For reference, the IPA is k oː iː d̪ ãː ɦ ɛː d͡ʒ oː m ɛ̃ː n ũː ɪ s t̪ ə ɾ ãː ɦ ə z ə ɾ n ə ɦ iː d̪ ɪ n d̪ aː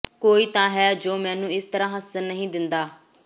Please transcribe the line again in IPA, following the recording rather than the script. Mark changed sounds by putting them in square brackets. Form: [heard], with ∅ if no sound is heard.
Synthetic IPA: k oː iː [t̪] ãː ɦ ɛː d͡ʒ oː m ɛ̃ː n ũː ɪ s t̪ ə ɾ ãː ɦ ə [s] ə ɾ n ə ɦ [ĩː] d̪ ɪ n d̪ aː